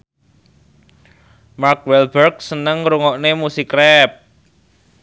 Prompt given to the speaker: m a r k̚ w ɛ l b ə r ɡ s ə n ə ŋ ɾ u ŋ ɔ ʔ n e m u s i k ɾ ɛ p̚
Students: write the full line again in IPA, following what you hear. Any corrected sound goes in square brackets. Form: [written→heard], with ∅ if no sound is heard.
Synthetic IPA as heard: m a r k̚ w ɛ l b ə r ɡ s ə n ə ŋ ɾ u ŋ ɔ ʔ n e m u s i k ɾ ɛ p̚